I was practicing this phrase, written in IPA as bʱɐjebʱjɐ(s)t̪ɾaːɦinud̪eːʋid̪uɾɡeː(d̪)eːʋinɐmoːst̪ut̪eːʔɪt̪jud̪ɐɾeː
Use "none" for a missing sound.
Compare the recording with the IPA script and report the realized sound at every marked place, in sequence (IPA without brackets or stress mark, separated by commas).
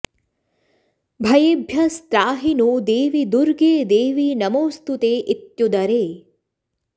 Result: s, d̪